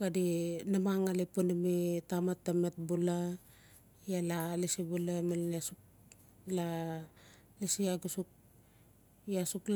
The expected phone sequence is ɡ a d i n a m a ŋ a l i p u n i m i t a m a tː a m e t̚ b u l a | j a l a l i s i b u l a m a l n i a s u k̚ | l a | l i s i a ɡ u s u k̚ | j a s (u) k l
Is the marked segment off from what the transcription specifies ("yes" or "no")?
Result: no